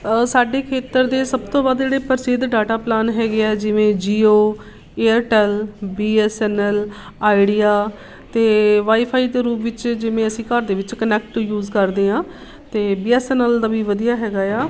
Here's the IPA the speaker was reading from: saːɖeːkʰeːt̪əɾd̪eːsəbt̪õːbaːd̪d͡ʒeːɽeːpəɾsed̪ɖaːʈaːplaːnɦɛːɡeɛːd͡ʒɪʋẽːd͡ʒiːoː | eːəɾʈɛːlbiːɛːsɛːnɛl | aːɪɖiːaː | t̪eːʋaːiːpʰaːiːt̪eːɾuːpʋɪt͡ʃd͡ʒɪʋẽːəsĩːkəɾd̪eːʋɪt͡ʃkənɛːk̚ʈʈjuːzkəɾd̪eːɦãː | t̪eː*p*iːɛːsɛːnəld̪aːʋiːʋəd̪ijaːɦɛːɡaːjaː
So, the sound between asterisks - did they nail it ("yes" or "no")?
no